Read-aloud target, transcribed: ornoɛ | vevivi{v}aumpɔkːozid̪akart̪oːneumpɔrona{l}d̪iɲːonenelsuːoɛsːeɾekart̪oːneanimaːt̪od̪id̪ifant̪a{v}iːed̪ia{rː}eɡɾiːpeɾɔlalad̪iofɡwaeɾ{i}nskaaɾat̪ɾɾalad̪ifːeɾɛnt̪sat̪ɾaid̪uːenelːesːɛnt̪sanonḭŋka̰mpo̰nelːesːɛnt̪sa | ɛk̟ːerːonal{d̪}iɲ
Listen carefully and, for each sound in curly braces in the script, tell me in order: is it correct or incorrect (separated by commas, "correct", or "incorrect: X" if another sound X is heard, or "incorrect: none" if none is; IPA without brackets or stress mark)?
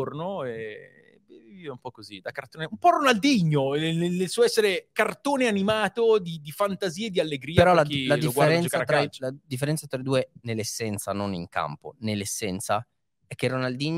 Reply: correct, correct, incorrect: z, incorrect: lː, incorrect: ɛ, correct